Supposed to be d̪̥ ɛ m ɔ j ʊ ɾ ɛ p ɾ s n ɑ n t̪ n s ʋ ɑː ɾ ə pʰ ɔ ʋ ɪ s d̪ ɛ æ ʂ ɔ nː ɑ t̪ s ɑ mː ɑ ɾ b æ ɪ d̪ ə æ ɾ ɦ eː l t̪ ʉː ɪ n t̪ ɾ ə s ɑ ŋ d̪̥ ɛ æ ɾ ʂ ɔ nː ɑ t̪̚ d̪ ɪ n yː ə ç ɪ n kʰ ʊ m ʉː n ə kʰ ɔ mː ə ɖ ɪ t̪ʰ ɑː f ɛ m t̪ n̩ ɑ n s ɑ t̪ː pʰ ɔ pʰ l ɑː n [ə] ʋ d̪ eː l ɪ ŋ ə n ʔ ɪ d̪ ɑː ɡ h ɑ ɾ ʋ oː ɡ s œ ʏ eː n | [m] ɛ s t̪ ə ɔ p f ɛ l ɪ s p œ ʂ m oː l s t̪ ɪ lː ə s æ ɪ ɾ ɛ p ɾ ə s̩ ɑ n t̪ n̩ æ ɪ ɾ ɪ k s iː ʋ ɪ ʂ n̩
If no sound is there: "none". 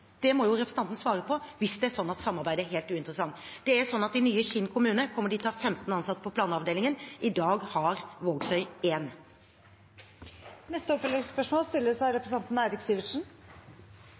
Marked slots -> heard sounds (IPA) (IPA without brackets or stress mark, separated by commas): ɑ, n